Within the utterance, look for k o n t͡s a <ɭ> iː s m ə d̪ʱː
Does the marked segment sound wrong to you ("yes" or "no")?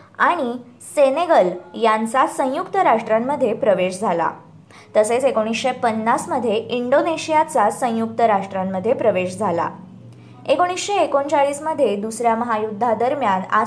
no